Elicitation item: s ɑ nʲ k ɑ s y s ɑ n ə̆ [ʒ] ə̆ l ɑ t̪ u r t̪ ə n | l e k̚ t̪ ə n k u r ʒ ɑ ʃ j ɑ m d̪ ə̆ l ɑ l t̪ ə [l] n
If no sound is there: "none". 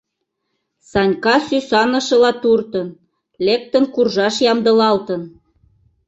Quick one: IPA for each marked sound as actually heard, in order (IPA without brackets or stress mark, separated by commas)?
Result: ʃ, none